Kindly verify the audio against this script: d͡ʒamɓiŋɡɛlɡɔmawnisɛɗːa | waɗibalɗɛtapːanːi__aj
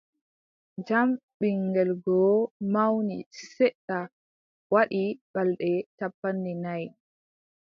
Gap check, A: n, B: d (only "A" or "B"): A